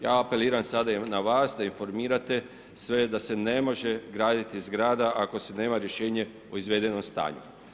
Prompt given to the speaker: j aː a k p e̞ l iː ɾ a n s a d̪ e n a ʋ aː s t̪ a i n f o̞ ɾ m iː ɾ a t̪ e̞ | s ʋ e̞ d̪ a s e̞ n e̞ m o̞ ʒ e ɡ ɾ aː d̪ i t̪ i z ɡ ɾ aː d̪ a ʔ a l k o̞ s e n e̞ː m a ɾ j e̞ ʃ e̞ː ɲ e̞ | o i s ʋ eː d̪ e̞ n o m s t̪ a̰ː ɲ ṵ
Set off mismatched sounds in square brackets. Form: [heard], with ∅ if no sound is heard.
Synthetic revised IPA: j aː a [∅] p e̞ l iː ɾ a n s a d̪ [a] n a ʋ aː s [d̪] a i n f o̞ ɾ m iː ɾ a t̪ e̞ | s ʋ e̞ d̪ a s e̞ n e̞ m o̞ ʒ e ɡ ɾ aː d̪ i t̪ i z ɡ ɾ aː d̪ a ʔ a [∅] k o̞ s e n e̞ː m a ɾ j e̞ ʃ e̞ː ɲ e̞ | o i [z] ʋ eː d̪ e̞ n o m s t̪ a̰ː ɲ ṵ